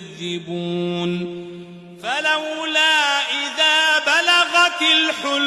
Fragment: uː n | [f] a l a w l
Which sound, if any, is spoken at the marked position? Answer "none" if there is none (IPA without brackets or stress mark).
f